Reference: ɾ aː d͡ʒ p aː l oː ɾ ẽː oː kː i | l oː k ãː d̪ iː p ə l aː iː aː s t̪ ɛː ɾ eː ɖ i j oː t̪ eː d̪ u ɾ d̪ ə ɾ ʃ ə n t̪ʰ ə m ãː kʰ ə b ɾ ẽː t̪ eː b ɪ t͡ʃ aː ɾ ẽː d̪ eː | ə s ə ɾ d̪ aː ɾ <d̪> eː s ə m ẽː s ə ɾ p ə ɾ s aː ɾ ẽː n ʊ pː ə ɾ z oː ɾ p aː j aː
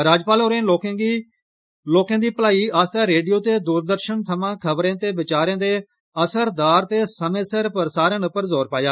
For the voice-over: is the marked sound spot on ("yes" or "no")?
no